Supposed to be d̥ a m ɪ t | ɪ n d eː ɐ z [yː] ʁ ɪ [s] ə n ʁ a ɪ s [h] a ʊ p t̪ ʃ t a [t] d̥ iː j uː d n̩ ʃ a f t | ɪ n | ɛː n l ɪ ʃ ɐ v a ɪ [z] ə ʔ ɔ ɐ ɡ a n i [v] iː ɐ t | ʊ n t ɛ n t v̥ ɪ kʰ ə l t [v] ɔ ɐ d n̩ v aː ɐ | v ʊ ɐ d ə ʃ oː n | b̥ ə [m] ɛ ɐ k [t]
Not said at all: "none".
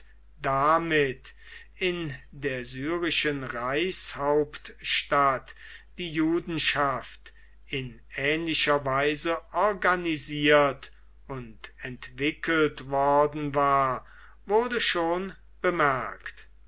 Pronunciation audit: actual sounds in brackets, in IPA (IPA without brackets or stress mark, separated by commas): yː, ʃ, h, t, z, z, v, m, t